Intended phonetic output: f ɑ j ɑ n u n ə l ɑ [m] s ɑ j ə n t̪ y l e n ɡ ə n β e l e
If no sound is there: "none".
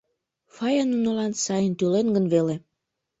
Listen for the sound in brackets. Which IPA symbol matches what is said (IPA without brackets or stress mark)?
n